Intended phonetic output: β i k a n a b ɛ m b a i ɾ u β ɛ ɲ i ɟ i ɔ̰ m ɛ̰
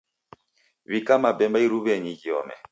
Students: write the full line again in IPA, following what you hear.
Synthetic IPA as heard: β i k a m a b ɛ m b a i ɾ u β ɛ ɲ i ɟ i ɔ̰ m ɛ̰